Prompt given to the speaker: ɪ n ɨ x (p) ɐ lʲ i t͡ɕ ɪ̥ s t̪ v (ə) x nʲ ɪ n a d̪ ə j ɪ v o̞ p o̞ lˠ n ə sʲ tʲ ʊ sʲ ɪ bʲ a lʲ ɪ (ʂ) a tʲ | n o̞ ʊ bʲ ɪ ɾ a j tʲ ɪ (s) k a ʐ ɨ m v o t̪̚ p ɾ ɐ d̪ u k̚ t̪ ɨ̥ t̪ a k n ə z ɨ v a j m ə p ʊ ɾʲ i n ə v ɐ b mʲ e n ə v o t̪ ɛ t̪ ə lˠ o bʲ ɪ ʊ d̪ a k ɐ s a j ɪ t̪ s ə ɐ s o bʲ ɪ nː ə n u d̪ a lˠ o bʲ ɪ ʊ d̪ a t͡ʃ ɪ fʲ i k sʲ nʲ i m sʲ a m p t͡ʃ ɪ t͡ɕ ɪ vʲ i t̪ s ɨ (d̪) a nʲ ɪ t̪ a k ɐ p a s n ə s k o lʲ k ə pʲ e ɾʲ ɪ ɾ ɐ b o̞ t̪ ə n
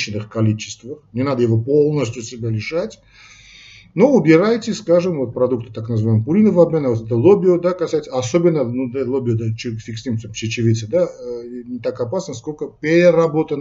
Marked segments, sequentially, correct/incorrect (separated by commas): incorrect, correct, correct, correct, correct